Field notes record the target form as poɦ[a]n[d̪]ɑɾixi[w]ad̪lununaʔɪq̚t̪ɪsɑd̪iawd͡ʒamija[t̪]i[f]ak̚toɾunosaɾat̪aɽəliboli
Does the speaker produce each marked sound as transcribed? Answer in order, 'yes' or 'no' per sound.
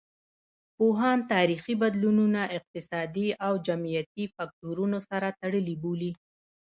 no, no, no, yes, yes

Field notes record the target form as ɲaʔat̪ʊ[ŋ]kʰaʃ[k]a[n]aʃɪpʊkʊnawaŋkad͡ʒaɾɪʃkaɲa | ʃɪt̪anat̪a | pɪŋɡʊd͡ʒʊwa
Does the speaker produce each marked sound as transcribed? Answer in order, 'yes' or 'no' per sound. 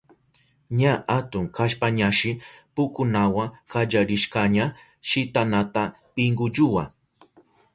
yes, no, no

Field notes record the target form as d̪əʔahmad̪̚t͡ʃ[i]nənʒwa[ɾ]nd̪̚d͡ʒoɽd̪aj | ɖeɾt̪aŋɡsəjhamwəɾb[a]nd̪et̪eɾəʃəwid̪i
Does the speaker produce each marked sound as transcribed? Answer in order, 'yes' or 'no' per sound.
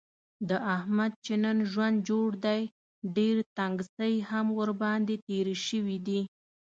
no, no, no

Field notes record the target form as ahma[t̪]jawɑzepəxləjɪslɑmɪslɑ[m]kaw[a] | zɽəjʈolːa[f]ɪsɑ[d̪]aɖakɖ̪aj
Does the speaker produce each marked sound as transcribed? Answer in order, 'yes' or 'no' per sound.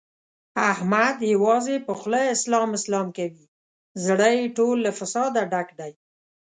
no, yes, no, yes, yes

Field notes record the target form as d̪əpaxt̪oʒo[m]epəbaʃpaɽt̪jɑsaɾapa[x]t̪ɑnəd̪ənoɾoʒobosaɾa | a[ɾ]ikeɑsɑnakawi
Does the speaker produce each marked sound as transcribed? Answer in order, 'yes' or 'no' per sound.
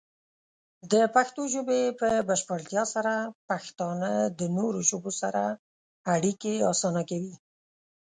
no, yes, no

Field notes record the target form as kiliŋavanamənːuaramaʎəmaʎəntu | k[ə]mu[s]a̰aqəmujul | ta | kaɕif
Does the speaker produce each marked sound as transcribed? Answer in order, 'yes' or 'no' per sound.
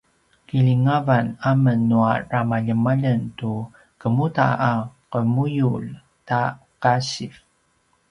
yes, no

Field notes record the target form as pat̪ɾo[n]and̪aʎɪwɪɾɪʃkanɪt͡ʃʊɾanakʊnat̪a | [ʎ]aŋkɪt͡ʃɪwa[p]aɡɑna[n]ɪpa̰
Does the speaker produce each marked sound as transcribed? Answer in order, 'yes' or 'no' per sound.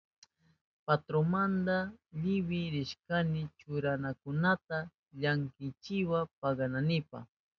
no, yes, yes, yes

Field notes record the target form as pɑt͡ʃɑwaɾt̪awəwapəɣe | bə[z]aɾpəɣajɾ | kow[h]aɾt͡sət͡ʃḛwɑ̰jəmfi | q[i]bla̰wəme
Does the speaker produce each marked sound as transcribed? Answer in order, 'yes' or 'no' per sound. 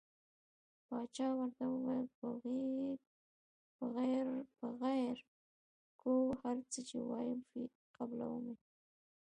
no, yes, no

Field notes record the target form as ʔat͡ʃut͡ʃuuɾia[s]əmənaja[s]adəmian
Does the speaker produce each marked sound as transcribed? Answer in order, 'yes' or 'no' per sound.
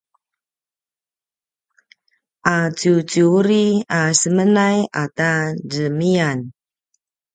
yes, no

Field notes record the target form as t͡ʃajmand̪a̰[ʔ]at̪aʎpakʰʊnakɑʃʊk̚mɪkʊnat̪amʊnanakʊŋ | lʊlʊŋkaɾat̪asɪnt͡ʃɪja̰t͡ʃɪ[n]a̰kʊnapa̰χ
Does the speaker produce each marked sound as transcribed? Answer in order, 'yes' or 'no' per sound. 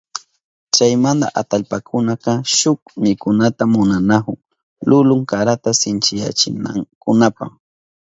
yes, yes

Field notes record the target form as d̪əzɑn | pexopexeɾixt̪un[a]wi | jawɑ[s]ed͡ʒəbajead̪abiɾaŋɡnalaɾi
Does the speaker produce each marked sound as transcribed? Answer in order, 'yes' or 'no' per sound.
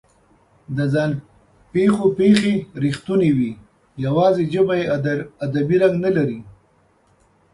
no, no

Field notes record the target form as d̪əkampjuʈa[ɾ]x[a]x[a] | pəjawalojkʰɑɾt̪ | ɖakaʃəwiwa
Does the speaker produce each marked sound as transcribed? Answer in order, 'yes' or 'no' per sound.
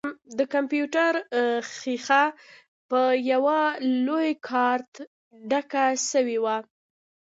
yes, no, yes

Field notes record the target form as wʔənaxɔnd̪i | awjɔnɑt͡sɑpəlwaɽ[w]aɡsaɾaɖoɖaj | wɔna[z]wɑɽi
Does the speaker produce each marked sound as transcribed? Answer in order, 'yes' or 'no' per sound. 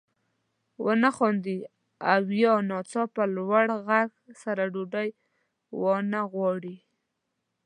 no, no

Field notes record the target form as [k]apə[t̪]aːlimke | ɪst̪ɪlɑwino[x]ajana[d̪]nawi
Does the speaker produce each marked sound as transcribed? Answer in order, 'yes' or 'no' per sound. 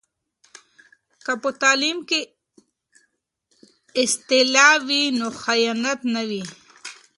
yes, yes, yes, no

